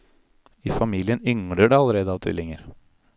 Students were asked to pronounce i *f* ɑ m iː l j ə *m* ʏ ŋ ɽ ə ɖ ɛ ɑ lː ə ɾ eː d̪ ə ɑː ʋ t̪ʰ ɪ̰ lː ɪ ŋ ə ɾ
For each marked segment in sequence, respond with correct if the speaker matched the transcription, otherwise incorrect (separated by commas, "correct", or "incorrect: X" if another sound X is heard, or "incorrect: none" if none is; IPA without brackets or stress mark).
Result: correct, incorrect: n